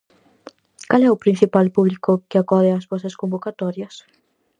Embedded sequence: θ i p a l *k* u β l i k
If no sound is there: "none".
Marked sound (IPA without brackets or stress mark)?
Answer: p